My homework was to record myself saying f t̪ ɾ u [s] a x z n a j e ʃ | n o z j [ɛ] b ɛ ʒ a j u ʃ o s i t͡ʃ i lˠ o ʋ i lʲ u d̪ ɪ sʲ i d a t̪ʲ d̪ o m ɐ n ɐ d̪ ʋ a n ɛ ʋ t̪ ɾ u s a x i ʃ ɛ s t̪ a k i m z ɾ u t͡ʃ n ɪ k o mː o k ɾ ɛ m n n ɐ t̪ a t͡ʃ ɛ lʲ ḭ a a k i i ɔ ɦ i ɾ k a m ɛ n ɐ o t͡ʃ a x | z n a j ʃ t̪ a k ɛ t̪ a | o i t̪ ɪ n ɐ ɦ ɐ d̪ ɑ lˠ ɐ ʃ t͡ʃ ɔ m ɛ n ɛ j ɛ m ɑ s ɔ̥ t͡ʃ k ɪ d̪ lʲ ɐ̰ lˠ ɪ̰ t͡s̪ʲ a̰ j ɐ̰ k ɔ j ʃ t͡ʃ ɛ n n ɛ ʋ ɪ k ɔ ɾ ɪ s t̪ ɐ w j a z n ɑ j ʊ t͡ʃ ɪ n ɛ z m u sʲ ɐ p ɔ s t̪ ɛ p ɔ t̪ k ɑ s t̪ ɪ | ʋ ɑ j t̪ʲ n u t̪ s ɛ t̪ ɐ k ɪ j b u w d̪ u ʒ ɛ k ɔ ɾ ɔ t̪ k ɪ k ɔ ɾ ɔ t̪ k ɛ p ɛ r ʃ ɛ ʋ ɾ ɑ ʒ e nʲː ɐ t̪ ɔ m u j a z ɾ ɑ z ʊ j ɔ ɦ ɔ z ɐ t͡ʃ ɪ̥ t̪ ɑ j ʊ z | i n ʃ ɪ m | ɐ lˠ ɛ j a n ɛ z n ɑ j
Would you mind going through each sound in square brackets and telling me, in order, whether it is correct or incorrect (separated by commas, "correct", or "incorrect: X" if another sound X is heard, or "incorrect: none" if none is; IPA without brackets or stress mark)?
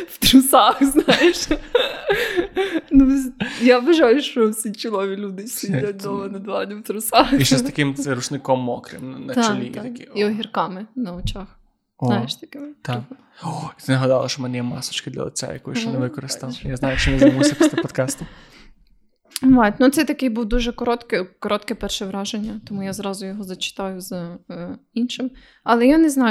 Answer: correct, incorrect: a